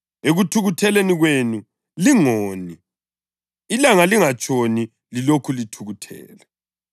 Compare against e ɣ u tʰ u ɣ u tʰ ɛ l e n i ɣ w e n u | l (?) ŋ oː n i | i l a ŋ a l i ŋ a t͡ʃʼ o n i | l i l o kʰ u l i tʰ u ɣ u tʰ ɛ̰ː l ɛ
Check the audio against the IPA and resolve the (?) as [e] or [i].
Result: i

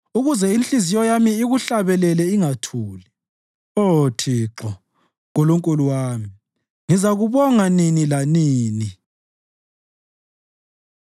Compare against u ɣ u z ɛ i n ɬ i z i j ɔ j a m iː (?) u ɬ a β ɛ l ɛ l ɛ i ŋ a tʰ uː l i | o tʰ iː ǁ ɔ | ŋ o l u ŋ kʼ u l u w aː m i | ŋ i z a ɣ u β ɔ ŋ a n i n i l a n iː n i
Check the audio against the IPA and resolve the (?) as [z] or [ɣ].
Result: ɣ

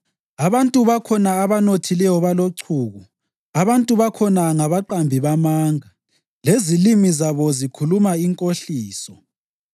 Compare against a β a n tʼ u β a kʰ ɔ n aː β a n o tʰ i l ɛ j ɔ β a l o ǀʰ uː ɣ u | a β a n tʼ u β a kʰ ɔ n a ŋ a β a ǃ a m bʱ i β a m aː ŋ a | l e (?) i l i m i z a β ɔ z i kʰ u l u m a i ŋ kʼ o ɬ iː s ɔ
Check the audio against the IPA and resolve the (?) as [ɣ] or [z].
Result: z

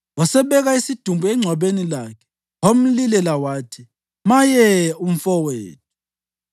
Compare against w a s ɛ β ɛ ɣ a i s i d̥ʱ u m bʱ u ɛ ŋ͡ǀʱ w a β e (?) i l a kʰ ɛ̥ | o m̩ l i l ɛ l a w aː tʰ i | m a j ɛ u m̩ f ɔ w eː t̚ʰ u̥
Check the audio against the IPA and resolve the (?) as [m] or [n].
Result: n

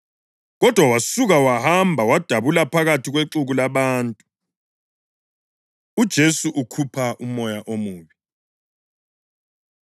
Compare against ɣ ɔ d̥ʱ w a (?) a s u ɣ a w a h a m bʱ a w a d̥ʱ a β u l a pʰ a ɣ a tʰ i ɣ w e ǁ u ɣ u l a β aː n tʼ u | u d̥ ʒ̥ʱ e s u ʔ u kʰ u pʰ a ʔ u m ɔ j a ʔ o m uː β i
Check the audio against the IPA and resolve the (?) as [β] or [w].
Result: w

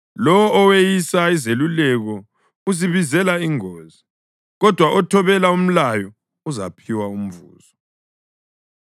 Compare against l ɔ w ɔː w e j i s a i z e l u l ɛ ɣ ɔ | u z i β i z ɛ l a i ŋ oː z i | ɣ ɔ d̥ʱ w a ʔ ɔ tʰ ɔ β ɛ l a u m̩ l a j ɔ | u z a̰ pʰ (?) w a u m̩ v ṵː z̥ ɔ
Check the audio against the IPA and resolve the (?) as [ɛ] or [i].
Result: i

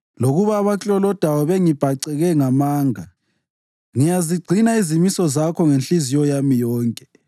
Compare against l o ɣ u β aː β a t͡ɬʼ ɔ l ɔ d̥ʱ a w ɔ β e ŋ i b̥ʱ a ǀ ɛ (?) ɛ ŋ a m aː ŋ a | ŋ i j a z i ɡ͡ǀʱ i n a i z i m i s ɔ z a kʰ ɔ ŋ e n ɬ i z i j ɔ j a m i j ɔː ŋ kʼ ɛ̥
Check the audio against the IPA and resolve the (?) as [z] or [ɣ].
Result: ɣ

